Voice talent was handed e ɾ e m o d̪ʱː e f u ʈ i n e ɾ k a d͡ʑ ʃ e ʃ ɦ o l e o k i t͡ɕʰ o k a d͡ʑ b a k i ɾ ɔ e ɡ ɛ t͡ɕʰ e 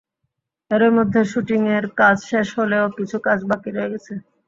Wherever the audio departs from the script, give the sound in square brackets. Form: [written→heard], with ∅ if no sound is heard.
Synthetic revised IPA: e ɾ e m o d̪ʱː e [f→ʃ] u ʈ i [n→ŋ] e ɾ k a d͡ʑ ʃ e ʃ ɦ o l e o k i t͡ɕʰ [o→u] k a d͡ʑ b a k i ɾ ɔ e ɡ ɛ t͡ɕʰ e